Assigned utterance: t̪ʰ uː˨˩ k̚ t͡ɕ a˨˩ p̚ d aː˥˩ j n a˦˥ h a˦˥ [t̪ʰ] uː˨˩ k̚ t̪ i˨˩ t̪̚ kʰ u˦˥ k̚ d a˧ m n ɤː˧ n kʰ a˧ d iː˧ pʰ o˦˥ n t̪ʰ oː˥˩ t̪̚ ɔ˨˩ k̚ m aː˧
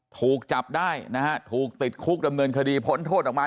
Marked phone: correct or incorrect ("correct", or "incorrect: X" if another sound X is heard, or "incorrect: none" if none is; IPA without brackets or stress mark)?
correct